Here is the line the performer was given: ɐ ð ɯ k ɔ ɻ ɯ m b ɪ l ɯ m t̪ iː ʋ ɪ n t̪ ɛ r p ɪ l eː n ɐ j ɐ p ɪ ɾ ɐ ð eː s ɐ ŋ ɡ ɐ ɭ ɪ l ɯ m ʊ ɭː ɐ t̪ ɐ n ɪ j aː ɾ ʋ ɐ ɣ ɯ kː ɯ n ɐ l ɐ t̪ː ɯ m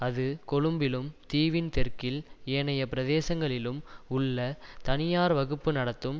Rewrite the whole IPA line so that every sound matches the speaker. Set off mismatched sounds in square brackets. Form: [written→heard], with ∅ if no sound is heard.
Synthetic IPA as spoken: ɐ ð ɯ k ɔ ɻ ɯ m b ɪ l ɯ m t̪ iː ʋ ɪ n t̪ ɛ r [p→k] ɪ l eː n ɐ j ɐ p ɪ ɾ ɐ ð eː s ɐ ŋ ɡ ɐ ɭ ɪ l ɯ m ʊ ɭː ɐ t̪ ɐ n ɪ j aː ɾ ʋ ɐ ɣ ɯ [kː→pː] ɯ n ɐ [l→ɽ] ɐ t̪ː ɯ m

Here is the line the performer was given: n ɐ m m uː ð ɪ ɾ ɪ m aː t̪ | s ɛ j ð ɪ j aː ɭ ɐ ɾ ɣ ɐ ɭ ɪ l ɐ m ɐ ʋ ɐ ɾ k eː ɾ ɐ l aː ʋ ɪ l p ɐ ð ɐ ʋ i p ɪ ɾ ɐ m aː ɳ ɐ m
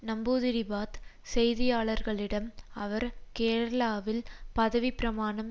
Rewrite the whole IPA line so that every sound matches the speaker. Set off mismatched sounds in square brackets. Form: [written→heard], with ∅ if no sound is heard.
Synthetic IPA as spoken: n ɐ m [m→b] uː ð ɪ ɾ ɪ [m→b] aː t̪ | s ɛ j ð ɪ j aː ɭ ɐ ɾ ɣ ɐ ɭ ɪ [l→ɽ] ɐ m ɐ ʋ ɐ ɾ k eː ɾ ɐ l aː ʋ ɪ l p ɐ ð ɐ ʋ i p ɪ ɾ ɐ m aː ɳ ɐ m

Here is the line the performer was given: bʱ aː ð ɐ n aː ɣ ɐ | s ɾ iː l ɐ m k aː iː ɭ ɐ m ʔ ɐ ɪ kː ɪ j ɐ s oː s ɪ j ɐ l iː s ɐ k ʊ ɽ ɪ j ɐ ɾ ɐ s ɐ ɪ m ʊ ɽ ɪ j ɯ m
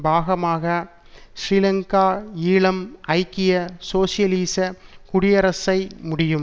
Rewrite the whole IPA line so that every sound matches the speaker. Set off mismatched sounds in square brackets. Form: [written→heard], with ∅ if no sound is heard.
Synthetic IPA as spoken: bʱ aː [ð→ɣ] ɐ [n→m] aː ɣ ɐ | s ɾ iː l ɐ [m→ŋ] k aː iː ɭ ɐ m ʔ ɐ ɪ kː ɪ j ɐ s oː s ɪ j ɐ l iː s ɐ k ʊ ɽ ɪ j ɐ ɾ ɐ s ɐ ɪ m ʊ ɽ ɪ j ɯ m

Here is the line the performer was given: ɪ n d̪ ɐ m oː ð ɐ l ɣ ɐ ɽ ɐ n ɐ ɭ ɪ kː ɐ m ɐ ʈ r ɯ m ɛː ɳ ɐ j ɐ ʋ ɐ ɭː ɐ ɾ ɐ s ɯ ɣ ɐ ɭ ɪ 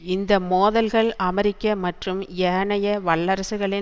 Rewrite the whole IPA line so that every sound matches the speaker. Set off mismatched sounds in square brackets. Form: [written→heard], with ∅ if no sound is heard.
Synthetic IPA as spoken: ɪ n d̪ ɐ m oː ð ɐ l ɣ ɐ [ɽ→ɭ] ɐ [n→m] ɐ [ɭ→ɾ] ɪ kː ɐ m ɐ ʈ r ɯ m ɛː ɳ ɐ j ɐ ʋ ɐ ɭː ɐ ɾ ɐ s ɯ ɣ ɐ ɭ ɪ

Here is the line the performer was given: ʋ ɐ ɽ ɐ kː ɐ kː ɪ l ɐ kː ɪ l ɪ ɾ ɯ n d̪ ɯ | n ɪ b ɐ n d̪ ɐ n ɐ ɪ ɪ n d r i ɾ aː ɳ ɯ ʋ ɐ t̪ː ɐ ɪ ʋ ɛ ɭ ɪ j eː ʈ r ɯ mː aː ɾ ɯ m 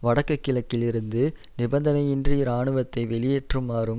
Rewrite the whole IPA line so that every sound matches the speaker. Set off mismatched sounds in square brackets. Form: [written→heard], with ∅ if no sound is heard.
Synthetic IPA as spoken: ʋ ɐ ɽ ɐ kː ɐ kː ɪ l ɐ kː ɪ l ɪ ɾ ɯ n d̪ ɯ | n ɪ b ɐ n d̪ ɐ n ɐ ɪ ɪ n d r i ɾ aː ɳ ɯ ʋ ɐ t̪ː ɐ ɪ ʋ ɛ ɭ ɪ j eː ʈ r ɯ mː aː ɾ ɯ m

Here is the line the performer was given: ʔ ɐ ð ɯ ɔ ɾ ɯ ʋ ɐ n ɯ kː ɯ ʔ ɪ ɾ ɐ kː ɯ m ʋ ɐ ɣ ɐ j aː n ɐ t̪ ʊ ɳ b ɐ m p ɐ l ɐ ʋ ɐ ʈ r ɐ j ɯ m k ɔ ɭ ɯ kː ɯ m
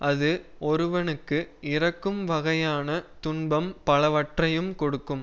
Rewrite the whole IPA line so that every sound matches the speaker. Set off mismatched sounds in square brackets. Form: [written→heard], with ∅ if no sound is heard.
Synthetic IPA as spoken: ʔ ɐ ð ɯ ɔ ɾ ɯ ʋ ɐ n ɯ kː ɯ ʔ ɪ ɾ ɐ kː ɯ m ʋ ɐ ɣ ɐ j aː n ɐ t̪ ʊ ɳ b ɐ m p ɐ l ɐ ʋ ɐ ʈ r ɐ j ɯ m k ɔ [ɭ→ɽ] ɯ kː ɯ m

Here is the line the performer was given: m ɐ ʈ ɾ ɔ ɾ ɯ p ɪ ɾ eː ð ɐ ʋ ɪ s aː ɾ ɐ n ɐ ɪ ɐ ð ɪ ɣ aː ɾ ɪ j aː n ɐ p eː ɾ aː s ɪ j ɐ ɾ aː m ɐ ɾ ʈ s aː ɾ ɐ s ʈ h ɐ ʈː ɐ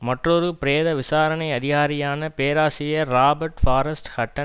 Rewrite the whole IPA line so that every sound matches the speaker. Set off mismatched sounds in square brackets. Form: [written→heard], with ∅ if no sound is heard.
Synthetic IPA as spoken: m ɐ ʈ [ɾ→r] ɔ ɾ ɯ p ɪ ɾ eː ð ɐ ʋ ɪ s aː ɾ ɐ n ɐ ɪ ɐ ð ɪ ɣ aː ɾ ɪ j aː n ɐ p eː ɾ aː s ɪ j ɐ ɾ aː [m→b] ɐ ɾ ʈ [s→f] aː ɾ ɐ s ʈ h ɐ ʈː ɐ

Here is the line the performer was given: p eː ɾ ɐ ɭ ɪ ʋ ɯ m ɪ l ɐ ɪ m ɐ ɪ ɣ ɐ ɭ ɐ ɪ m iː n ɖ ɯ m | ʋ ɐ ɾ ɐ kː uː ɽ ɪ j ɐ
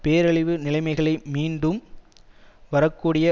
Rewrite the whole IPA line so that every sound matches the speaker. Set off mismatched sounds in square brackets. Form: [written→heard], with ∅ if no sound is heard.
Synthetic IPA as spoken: p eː ɾ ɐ ɭ ɪ ʋ ɯ [m→n] ɪ l ɐ ɪ m ɐ ɪ ɣ ɐ ɭ ɐ ɪ m iː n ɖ ɯ m | ʋ ɐ ɾ ɐ kː uː ɽ ɪ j ɐ

